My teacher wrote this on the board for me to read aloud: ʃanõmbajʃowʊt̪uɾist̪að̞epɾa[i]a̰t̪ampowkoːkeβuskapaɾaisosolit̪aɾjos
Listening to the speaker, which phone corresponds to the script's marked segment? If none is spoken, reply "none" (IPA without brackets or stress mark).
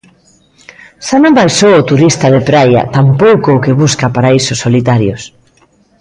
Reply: j